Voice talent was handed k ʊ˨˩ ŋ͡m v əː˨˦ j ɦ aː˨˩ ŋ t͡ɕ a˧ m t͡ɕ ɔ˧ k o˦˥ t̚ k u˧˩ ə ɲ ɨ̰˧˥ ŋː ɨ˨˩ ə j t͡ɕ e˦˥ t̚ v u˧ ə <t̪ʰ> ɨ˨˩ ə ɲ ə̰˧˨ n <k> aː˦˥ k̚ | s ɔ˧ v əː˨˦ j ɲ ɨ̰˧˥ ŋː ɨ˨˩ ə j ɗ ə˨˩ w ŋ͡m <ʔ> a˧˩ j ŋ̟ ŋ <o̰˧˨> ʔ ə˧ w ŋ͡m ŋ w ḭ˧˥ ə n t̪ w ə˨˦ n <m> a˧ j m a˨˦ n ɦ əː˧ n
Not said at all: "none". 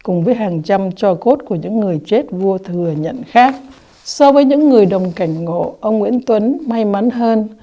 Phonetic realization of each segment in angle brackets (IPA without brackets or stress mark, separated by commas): t̪ʰ, x, k, o̰˧˨, m